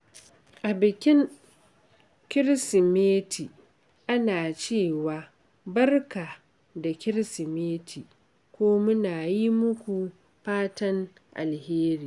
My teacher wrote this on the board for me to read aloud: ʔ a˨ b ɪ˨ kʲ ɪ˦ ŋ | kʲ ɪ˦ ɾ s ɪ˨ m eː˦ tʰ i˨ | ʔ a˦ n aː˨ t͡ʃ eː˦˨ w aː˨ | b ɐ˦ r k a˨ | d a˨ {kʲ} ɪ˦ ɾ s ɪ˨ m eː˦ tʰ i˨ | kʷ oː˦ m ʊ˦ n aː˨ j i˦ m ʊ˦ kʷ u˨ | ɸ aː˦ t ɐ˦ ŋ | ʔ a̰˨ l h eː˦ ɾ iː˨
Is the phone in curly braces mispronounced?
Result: no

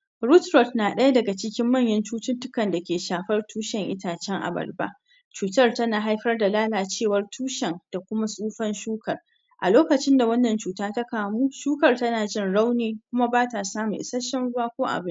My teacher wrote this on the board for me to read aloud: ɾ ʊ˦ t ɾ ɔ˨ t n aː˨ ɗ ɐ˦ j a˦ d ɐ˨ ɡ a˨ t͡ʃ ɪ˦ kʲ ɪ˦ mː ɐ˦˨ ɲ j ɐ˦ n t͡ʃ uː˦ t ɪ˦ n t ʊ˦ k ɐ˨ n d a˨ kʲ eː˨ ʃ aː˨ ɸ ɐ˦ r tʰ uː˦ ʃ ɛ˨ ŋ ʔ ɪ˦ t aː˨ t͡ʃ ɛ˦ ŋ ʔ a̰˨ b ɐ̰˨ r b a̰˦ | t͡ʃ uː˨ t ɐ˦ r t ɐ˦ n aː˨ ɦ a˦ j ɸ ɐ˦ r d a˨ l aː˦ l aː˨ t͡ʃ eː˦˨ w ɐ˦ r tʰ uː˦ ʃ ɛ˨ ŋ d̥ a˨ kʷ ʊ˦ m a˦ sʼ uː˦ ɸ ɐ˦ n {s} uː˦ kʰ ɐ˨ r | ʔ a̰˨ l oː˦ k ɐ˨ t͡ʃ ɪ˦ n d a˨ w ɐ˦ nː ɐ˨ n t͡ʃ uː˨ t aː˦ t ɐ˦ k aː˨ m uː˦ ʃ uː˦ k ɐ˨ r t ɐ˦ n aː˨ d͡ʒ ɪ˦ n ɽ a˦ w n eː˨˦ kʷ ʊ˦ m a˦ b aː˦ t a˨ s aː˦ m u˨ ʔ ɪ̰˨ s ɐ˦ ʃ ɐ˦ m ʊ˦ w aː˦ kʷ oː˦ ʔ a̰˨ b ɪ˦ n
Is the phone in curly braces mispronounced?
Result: yes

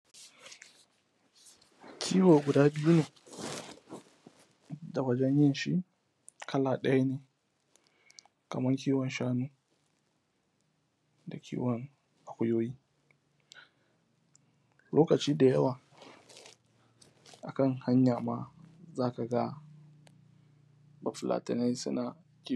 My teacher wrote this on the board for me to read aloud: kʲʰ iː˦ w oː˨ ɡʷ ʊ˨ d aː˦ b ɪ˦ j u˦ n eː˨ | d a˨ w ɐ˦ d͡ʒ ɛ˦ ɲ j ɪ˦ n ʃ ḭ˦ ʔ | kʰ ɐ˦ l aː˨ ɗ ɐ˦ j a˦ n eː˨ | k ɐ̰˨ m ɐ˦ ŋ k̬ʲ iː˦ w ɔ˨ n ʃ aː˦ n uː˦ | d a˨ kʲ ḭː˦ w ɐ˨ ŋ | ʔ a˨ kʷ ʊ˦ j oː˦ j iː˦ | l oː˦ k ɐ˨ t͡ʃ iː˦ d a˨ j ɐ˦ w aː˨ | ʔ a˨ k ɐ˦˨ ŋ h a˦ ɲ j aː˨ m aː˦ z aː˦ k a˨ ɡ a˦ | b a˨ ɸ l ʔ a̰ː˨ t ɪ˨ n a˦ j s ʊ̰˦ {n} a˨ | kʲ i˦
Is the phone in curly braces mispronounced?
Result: no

